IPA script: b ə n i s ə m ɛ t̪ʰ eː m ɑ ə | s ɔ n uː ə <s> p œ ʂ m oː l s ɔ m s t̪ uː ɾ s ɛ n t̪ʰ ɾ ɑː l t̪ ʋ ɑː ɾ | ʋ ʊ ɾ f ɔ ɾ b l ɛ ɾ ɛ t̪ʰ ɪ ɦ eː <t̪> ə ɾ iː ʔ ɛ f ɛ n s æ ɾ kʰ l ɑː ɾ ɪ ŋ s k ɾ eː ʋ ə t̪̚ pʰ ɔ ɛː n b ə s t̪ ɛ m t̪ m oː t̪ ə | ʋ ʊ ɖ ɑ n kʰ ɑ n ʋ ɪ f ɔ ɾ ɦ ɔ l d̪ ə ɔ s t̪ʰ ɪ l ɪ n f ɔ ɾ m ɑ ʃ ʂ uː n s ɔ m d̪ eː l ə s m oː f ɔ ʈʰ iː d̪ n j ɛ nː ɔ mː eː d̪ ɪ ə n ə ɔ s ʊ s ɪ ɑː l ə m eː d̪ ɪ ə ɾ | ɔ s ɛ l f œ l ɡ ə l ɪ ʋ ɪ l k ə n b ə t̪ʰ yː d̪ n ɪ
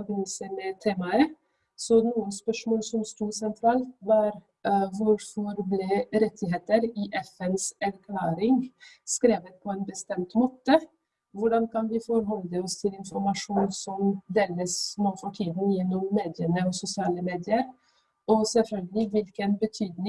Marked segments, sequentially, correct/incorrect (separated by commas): correct, correct